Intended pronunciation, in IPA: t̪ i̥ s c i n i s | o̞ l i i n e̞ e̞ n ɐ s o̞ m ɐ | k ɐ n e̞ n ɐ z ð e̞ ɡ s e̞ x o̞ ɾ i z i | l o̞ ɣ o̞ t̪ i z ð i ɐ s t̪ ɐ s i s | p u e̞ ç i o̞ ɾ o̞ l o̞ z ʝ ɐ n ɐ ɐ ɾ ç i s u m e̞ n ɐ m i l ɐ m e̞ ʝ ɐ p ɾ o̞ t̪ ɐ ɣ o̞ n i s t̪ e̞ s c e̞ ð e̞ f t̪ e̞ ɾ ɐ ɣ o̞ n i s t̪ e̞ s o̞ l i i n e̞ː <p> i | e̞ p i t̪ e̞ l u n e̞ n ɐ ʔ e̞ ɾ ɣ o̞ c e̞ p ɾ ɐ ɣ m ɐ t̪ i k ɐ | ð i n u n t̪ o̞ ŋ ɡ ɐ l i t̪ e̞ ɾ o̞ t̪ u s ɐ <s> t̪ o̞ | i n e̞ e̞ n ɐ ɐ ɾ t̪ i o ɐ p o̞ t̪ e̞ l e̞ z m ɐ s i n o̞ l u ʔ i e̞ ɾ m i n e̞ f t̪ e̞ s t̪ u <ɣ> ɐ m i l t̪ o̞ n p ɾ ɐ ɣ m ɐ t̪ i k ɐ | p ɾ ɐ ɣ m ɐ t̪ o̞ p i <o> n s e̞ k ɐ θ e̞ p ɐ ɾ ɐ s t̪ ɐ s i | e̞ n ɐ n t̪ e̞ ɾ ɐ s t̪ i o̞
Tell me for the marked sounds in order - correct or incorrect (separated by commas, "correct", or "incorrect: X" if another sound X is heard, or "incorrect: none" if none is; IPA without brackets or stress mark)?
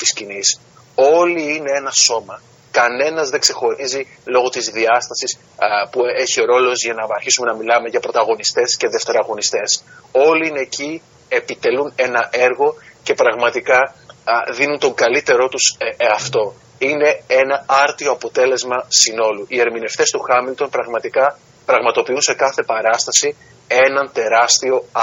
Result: incorrect: c, incorrect: f, incorrect: x, incorrect: u